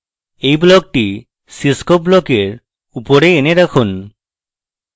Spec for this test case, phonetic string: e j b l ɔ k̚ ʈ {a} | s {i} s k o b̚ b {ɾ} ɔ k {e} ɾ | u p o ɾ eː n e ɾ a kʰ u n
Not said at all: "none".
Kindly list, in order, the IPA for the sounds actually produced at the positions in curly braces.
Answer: i, i, l, e

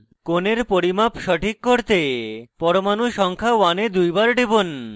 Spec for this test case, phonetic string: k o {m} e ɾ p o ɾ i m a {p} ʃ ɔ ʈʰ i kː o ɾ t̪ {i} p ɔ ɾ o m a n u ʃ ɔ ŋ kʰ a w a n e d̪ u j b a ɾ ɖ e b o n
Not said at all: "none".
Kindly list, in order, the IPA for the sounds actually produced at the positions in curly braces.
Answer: n, p, e

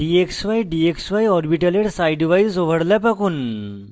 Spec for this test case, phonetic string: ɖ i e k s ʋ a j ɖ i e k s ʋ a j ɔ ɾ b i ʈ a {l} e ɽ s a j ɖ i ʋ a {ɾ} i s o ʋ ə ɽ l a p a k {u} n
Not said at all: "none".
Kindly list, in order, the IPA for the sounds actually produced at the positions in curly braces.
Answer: l, none, uː

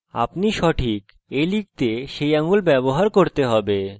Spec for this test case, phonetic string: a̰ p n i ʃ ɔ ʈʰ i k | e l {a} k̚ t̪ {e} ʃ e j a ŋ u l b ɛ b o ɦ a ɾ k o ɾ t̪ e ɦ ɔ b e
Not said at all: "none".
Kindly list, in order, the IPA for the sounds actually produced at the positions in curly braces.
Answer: i, e

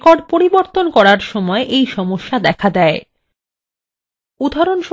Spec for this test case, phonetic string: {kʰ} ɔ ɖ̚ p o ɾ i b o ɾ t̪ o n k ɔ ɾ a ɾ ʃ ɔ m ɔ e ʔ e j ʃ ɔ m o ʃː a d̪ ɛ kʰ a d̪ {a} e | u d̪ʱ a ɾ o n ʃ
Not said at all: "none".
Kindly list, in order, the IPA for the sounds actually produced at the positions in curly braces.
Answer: k, ɛ

